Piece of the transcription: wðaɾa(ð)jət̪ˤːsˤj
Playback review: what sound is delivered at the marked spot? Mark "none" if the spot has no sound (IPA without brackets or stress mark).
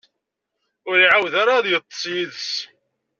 ð